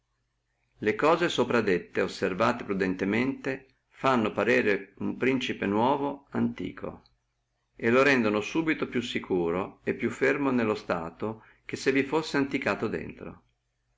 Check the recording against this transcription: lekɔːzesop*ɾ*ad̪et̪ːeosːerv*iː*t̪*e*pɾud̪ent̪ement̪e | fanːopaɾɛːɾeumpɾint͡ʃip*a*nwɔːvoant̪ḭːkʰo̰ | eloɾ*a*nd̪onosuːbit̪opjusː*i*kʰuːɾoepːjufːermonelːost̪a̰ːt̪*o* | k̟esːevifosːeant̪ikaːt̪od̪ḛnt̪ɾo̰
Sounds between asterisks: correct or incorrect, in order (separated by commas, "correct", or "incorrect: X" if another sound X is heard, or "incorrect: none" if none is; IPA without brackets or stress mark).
correct, incorrect: aː, correct, incorrect: e, incorrect: ɛ, correct, correct